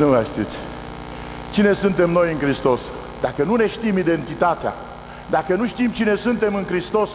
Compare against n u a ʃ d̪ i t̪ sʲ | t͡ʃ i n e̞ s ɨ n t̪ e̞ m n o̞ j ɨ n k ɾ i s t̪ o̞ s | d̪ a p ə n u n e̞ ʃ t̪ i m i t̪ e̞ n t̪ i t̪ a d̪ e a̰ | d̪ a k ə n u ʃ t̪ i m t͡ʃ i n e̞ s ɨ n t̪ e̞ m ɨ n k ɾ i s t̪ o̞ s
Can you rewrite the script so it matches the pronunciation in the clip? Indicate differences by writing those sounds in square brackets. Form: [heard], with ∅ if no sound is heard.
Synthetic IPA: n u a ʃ [t̪] i t̪ sʲ | t͡ʃ i n e̞ s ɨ n t̪ e̞ m n o̞ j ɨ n k ɾ i s t̪ o̞ s | d̪ a [k] ə n u n e̞ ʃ t̪ i m i [d̪] e̞ n t̪ i t̪ a [t̪] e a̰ | d̪ a k ə n u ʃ t̪ i m t͡ʃ i n e̞ s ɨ n t̪ e̞ m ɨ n k ɾ i s t̪ o̞ s